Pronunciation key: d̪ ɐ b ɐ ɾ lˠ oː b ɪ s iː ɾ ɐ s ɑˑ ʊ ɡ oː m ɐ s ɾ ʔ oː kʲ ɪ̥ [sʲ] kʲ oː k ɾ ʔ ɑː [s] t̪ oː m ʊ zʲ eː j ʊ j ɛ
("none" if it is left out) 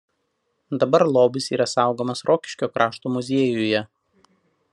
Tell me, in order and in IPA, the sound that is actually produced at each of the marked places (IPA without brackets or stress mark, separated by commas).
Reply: ʃʲ, ʃ